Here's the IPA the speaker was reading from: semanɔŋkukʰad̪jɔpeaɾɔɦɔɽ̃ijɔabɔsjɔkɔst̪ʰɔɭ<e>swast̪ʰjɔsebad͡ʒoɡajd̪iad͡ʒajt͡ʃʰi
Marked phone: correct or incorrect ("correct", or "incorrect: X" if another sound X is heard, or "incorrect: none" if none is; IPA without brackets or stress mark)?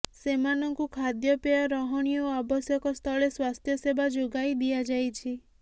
correct